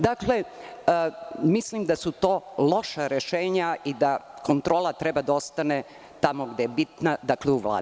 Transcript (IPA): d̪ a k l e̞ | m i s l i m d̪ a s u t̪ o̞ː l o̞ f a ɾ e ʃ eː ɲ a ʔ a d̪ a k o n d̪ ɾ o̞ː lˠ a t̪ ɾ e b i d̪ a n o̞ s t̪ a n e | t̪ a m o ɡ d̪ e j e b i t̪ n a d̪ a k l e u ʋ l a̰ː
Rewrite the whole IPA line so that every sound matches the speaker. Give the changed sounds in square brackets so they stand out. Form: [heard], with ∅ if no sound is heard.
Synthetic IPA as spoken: d̪ a k l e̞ | m i s l i m d̪ a s u t̪ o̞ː l o̞ [ʃ] a ɾ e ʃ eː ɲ a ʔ [i] d̪ a k o n [t̪] ɾ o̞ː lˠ a t̪ ɾ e b [a] d̪ a [∅] o̞ s t̪ a n e | t̪ a m o ɡ d̪ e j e b i t̪ n a d̪ a k l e u ʋ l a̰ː